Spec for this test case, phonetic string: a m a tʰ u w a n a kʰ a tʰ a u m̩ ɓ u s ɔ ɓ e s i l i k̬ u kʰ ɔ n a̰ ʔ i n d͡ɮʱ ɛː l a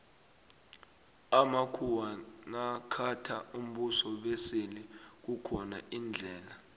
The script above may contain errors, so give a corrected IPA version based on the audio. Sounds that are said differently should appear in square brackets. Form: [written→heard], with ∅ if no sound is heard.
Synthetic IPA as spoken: a m a [tʰ→kʰ] u w a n a kʰ a tʰ a u m̩ ɓ u s ɔ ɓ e s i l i k̬ u kʰ ɔ n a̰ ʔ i n d͡ɮʱ ɛː l a